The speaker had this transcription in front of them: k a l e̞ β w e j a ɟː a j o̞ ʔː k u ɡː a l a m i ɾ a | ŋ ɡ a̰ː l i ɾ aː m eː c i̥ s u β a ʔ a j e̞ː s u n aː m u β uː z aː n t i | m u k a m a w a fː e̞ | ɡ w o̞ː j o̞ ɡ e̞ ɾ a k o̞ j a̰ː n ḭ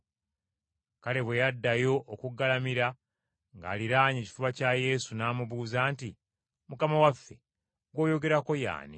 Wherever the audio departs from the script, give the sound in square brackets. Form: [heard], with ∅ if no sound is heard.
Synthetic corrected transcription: k a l e̞ β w e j a [dː] a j o̞ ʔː k u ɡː a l a m i ɾ a | ŋ ɡ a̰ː l i ɾ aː [ɲ] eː c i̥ [f] u β a [c] a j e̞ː s u n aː m u β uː z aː n t i | m u k a m a w a fː e̞ | ɡ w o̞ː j o̞ ɡ e̞ ɾ a k o̞ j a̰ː n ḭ